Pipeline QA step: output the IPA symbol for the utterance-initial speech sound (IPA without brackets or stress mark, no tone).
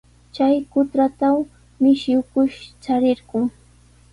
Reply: t͡ʃ